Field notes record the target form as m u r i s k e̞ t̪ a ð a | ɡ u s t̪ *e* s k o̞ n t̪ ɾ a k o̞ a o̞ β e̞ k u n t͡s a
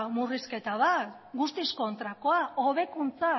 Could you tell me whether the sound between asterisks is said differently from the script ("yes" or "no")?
yes